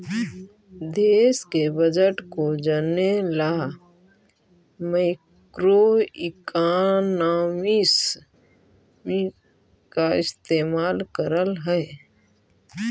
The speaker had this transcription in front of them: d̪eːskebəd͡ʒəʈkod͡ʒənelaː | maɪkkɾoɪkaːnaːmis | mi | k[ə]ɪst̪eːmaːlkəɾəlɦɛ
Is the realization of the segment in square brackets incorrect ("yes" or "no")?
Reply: yes